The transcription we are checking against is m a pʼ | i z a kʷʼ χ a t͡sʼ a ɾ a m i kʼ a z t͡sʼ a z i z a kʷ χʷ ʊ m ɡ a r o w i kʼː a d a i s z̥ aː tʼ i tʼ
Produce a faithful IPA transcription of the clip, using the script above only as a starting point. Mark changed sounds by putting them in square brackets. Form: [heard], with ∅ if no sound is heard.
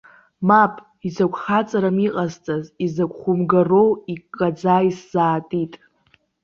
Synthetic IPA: m a pʼ | i z a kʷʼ χ a t͡sʼ a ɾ a m i [qʼ] a z t͡sʼ a z i z a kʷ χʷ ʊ m ɡ a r o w i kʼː a [d͡z] a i s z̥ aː tʼ i tʼ